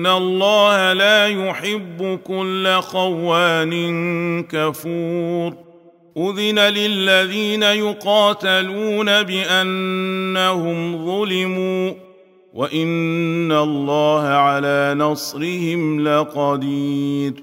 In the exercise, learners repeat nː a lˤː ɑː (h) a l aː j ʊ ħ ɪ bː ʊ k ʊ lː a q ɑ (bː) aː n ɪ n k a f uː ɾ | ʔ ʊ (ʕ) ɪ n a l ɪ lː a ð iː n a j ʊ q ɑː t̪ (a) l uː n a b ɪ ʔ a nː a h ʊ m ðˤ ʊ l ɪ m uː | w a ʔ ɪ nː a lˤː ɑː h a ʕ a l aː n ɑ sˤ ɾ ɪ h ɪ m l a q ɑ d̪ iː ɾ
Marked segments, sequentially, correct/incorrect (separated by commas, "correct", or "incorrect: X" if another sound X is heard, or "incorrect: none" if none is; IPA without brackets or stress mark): correct, incorrect: wː, incorrect: ð, correct